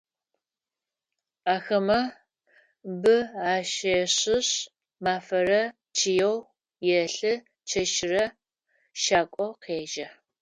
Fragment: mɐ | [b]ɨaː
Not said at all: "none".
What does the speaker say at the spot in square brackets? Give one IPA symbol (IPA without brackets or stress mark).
b